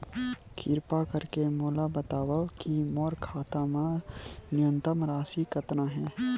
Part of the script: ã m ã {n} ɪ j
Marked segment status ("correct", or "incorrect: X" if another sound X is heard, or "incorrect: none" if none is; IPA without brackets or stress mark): correct